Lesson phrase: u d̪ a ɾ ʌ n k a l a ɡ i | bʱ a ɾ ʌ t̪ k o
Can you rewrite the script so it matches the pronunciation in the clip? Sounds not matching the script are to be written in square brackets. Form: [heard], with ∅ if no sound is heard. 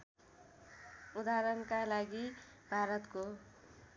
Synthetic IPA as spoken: u d̪ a ɾ ʌ n k a l a ɡ i | bʱ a ɾ ʌ t̪ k o